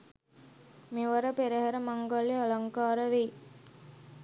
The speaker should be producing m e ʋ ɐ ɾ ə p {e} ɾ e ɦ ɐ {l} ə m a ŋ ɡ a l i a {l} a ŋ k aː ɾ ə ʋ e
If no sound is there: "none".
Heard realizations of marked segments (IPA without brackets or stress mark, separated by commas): e, ɾ, l